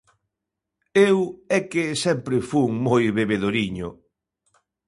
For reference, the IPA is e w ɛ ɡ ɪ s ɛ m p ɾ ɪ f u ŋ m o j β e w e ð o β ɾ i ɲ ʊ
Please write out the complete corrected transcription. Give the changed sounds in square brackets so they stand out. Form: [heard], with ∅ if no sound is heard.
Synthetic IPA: e w ɛ [k] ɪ s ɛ m p ɾ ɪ f u ŋ m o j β e [β] e ð o [∅] ɾ i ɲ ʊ